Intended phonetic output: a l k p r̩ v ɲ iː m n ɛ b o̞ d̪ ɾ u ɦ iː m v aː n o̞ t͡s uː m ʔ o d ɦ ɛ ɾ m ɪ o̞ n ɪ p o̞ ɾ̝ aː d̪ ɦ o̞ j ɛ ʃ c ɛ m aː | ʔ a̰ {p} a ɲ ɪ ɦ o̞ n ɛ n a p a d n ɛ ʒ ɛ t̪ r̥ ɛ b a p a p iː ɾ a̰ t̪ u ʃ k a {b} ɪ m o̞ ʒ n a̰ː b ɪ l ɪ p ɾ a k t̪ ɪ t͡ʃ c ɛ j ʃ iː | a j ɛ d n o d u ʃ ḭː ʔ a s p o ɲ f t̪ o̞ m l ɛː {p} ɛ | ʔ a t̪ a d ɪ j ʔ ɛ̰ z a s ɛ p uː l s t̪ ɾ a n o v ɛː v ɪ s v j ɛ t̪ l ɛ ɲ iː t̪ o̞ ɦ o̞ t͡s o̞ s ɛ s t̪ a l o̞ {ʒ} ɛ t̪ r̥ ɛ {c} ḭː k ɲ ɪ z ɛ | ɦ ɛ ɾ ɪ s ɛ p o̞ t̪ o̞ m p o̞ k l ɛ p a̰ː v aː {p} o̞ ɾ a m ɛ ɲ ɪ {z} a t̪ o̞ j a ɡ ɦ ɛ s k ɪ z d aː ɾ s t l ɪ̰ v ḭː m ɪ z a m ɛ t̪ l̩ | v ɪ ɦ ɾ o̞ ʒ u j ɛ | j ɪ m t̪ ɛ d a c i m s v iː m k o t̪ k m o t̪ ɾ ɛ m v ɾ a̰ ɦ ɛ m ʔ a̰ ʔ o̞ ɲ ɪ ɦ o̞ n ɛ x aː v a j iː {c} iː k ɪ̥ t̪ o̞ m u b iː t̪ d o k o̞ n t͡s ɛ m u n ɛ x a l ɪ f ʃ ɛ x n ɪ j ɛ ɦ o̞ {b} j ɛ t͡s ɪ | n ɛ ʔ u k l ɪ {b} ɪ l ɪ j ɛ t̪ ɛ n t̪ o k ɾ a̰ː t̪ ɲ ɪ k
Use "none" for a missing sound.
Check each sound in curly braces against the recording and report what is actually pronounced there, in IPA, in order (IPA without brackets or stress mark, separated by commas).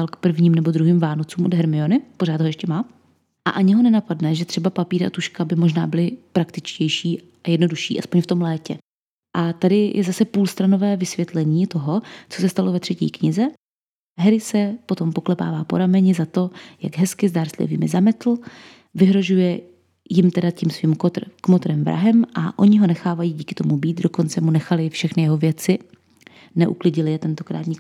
ʔ, b, c, v, c, p, z, ɟ, v, ɟ